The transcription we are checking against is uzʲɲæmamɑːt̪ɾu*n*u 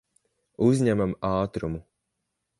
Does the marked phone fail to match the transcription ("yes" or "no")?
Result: yes